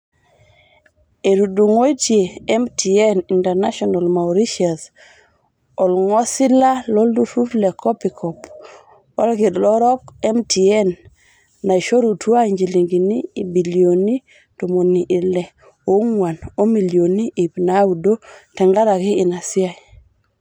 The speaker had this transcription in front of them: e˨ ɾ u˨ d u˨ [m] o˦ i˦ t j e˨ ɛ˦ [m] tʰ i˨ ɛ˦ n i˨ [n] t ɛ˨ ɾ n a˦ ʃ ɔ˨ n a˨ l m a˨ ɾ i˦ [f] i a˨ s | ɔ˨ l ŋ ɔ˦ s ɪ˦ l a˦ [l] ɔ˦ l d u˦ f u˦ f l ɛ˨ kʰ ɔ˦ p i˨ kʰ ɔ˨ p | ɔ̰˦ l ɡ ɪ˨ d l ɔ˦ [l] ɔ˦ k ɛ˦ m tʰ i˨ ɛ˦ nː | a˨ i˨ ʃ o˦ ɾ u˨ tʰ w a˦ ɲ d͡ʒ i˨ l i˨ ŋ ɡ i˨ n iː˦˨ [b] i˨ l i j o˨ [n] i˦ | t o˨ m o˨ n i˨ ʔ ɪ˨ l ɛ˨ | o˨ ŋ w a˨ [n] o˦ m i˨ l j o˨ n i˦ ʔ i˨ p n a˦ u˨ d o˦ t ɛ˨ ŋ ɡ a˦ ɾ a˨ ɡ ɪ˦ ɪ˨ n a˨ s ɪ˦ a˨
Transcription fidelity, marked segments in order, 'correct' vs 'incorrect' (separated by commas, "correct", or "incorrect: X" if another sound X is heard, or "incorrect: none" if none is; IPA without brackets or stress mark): incorrect: ŋ, correct, correct, incorrect: ʃ, correct, incorrect: ɾ, correct, correct, correct